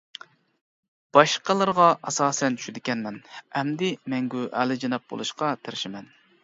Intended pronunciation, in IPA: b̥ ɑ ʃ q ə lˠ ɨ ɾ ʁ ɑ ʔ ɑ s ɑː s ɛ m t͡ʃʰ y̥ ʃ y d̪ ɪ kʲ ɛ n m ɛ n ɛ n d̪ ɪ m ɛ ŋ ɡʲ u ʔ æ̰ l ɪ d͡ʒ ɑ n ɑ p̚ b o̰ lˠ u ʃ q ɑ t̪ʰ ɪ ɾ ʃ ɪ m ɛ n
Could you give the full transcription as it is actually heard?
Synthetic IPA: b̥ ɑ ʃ q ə lˠ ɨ ɾ ʁ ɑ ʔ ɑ s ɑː s ɛ n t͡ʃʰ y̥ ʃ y d̪ ɪ kʲ ɛ n m ɛ n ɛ m d̪ ɪ m ɛ ŋ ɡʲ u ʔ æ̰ l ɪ d͡ʒ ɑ n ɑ p̚ b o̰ lˠ u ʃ q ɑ t̪ʰ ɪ ɾ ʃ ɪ m ɛ n